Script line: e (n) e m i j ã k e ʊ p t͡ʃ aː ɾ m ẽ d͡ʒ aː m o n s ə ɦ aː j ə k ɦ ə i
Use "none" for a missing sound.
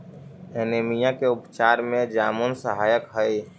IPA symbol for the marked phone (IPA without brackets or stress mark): n